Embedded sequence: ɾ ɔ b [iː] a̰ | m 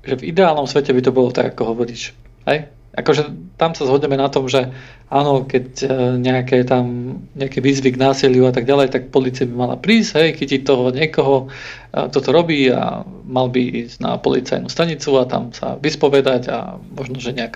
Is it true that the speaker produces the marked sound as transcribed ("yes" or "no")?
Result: yes